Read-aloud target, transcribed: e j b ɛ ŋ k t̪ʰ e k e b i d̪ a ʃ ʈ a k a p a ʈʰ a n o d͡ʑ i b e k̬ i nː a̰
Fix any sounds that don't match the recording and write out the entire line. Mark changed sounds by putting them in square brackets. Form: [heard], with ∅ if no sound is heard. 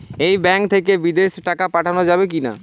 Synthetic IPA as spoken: e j b ɛ ŋ k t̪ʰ e k e b i d̪ [e] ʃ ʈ a k a p a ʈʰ a n o d͡ʑ [a] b e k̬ i [n] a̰